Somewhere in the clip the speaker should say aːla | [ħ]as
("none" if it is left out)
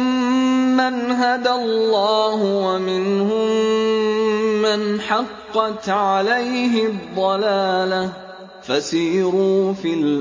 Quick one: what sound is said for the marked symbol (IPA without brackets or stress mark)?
f